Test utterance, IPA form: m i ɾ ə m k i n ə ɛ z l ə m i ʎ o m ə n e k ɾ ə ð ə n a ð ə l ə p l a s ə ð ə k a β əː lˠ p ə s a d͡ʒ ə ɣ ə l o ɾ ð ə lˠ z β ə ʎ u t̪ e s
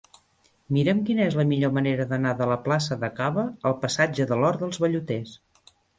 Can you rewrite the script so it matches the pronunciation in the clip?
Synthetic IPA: m i ɾ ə m k i n ə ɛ z l ə m i ʎ o m ə n e ɾ ə ð ə n a ð ə l ə p l a s ə ð ə k a β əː lˠ p ə s a d͡ʒ ə ð ə l ɔ ɾ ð ə lˠ z β ə ʎ u t̪ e s